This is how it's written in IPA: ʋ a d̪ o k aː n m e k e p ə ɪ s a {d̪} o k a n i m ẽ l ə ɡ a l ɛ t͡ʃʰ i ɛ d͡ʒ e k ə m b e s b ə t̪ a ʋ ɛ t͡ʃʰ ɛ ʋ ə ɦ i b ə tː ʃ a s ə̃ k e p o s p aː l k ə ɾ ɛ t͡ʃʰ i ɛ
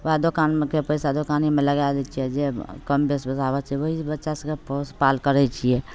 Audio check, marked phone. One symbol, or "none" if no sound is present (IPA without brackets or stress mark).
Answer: d̪